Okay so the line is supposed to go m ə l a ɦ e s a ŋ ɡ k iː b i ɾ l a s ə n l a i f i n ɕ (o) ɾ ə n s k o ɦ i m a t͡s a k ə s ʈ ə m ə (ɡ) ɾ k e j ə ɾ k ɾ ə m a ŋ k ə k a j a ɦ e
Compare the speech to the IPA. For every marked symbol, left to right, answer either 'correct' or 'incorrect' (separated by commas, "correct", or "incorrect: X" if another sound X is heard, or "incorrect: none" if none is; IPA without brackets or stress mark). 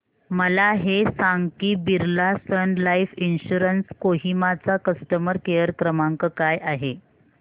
incorrect: u, incorrect: none